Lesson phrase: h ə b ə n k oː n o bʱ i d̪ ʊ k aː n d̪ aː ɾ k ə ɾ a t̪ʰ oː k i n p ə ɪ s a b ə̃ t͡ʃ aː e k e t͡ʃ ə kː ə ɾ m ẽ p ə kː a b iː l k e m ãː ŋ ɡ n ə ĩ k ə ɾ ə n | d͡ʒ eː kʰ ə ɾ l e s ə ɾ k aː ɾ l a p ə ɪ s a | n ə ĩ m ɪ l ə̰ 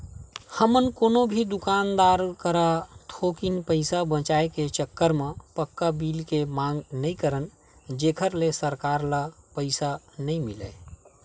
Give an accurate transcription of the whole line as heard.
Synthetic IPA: h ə m ə n k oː n o bʱ i d̪ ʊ k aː n d̪ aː ɾ k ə ɾ a t̪ʰ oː k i n p ə ɪ s a b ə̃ t͡ʃ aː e k e t͡ʃ ə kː ə ɾ m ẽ p ə kː a b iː l k e m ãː ŋ ɡ n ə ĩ k ə ɾ ə n | d͡ʒ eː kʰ ə ɾ l e s ə ɾ k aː ɾ l a p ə ɪ s a | n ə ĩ m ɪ l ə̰